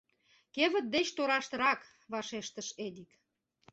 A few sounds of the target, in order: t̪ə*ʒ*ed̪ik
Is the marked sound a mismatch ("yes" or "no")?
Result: yes